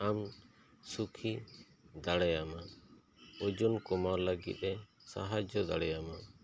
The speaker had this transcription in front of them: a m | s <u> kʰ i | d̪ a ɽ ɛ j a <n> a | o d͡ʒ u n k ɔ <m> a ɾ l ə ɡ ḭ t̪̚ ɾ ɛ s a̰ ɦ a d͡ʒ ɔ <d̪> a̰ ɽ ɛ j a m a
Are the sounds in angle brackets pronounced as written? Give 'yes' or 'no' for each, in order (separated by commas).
yes, no, yes, yes